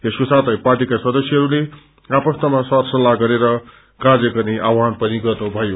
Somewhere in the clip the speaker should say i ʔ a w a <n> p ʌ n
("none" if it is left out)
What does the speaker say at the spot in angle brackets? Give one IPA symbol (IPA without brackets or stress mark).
n